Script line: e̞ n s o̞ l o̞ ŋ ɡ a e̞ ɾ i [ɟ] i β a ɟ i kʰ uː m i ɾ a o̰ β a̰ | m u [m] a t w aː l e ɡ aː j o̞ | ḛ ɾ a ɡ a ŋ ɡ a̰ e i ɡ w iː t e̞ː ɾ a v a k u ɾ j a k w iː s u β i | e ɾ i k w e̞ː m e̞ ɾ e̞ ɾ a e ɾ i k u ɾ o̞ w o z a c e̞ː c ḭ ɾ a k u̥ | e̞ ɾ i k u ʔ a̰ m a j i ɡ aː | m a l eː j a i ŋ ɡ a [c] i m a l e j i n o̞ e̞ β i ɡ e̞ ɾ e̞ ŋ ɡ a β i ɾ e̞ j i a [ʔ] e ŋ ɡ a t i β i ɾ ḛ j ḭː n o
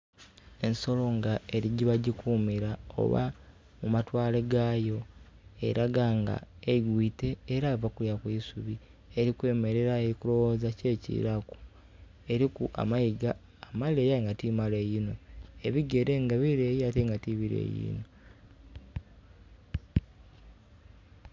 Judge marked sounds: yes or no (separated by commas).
yes, yes, no, no